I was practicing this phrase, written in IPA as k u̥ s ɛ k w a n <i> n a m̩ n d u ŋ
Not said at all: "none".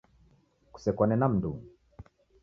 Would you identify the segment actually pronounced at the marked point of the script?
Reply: ɛ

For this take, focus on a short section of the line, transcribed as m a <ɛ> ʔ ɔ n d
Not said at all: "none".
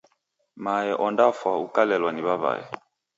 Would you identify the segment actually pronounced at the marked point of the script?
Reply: ɛ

